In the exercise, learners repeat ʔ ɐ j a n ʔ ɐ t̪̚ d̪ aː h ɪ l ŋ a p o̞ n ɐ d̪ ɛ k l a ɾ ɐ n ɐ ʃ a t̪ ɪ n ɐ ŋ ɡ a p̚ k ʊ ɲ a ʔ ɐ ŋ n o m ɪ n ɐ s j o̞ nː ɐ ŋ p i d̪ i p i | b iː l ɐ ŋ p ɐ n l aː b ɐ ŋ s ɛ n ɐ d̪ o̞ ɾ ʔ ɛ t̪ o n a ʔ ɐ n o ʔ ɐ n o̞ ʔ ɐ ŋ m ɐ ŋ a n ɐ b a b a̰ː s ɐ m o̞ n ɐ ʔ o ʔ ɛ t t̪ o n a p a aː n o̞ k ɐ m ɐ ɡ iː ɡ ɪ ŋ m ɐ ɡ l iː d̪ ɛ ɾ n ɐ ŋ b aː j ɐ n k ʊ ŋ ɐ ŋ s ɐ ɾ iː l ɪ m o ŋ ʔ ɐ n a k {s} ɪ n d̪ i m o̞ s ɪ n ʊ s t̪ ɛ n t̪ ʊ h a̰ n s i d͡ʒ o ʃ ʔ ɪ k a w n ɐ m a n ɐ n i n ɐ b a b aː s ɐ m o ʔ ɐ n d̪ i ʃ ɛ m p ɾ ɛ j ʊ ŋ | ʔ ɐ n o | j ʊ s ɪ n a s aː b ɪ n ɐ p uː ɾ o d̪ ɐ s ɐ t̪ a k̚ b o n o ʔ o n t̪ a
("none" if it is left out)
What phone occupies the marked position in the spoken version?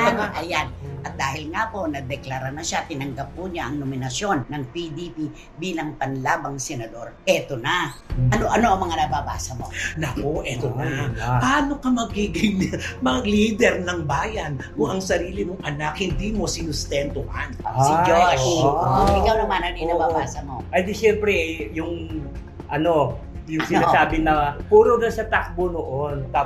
h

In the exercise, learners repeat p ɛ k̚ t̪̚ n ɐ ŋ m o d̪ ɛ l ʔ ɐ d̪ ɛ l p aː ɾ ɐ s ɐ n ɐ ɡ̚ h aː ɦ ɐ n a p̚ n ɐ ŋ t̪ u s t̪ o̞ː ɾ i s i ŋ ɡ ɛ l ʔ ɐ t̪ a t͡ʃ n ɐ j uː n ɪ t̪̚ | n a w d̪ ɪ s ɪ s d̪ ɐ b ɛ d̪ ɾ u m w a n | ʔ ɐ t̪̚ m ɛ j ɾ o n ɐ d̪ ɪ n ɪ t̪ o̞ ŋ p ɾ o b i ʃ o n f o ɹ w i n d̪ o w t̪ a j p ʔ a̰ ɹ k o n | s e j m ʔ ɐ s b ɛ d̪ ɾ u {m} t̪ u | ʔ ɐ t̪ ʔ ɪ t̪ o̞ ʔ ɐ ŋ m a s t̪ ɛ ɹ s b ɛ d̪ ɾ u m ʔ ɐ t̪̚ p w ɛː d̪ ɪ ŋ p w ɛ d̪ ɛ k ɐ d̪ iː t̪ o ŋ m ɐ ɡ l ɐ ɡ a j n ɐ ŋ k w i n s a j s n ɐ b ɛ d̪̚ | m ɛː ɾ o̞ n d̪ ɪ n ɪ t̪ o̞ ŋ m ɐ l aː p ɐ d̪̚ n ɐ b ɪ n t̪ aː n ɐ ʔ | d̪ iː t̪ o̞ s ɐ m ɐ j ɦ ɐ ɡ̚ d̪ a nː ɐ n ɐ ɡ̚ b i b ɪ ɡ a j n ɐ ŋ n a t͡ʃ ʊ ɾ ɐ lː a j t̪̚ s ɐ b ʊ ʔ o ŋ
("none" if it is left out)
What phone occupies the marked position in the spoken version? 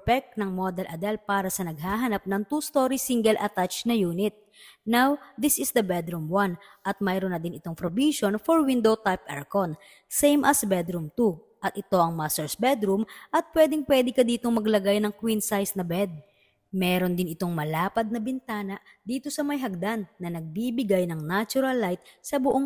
m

